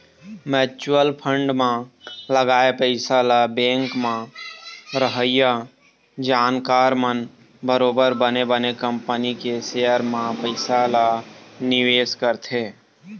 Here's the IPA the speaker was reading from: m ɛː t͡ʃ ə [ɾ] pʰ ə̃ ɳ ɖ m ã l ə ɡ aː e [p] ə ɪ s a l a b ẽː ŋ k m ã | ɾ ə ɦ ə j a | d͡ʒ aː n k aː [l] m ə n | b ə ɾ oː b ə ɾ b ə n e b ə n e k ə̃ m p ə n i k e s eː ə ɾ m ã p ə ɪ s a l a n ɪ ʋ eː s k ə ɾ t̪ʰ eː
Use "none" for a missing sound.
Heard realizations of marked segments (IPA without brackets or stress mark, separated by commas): l, p, ɾ